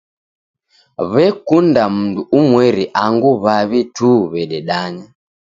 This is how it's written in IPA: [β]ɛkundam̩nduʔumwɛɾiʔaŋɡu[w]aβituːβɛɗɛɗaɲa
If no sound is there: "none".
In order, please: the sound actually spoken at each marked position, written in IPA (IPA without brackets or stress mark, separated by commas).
β, β